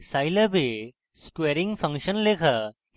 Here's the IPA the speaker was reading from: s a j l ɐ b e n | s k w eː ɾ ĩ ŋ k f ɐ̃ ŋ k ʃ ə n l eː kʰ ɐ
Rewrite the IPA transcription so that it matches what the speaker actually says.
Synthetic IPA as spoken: s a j l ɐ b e | s k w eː ɾ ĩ ŋ ɡ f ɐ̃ ŋ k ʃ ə n l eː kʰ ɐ